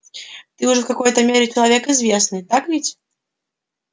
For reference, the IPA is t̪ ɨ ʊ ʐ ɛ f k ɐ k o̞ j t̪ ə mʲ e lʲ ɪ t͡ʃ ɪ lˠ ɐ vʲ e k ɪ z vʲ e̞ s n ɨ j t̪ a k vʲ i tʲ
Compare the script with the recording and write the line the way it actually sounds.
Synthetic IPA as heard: t̪ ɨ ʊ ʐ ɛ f k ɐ k o̞ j t̪ ə mʲ e ɾʲ ɪ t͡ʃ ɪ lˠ ɐ vʲ e k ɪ z vʲ e̞ s n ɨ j t̪ a k vʲ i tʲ